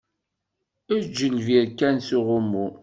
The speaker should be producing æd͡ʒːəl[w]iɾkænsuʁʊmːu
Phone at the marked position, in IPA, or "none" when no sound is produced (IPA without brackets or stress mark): v